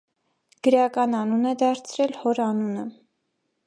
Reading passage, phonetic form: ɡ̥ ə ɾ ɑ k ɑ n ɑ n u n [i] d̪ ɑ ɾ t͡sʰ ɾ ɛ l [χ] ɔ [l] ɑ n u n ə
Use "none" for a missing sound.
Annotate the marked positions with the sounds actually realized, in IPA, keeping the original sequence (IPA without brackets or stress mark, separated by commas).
ɛ, h, ɾ